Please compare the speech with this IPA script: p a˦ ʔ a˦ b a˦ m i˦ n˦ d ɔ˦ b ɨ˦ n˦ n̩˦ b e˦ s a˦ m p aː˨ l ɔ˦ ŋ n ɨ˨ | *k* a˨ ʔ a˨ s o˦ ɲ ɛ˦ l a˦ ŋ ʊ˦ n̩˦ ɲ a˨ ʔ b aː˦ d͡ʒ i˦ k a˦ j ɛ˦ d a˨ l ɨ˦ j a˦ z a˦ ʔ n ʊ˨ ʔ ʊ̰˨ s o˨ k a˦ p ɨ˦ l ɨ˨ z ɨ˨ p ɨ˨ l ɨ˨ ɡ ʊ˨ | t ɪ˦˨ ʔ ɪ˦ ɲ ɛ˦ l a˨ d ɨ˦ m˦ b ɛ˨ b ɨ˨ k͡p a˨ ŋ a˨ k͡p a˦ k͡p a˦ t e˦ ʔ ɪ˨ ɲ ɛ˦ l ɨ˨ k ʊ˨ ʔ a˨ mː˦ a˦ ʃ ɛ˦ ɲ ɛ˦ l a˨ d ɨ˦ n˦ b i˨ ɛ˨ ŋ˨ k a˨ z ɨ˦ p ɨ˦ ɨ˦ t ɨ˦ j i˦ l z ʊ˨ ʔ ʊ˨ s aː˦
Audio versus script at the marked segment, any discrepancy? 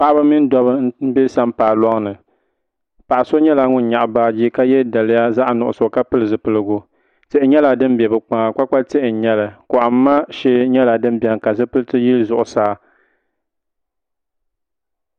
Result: yes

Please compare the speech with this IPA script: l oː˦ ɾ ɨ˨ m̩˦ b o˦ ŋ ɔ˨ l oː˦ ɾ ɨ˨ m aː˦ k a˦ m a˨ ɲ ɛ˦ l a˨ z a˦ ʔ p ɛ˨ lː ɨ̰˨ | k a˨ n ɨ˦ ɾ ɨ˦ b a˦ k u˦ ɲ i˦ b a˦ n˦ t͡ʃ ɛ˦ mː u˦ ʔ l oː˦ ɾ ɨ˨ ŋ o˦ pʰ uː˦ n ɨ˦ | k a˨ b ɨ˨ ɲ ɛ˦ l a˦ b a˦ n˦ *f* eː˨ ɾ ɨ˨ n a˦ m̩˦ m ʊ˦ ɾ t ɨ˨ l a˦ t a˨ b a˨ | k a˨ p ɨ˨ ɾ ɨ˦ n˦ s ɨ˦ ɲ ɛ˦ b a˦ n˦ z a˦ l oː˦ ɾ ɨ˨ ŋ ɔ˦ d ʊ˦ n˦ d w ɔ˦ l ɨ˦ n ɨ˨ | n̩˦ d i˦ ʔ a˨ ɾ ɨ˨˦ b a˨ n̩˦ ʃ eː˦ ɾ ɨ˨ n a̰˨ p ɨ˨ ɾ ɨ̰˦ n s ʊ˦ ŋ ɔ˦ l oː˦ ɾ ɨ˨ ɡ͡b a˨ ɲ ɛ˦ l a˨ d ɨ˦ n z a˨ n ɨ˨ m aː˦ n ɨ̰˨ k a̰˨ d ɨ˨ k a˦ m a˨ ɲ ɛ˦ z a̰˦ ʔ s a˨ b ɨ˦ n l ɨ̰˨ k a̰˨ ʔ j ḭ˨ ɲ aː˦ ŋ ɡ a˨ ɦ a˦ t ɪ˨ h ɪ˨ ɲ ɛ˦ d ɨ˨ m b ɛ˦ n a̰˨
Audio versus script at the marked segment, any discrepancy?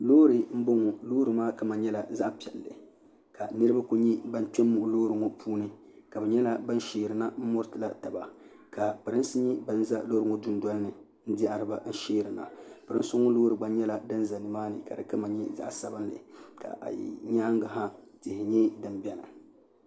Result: yes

